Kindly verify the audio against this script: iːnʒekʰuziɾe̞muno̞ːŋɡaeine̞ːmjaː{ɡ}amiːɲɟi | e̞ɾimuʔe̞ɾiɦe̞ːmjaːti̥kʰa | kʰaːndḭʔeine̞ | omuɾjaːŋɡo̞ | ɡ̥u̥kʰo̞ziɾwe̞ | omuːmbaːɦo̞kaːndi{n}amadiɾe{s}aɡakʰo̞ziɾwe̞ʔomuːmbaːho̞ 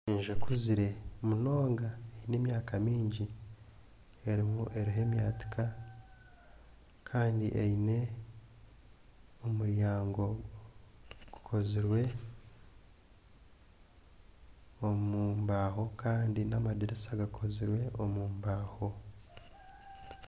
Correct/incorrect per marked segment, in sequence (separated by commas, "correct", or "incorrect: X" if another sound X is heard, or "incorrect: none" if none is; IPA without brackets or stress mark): incorrect: k, correct, correct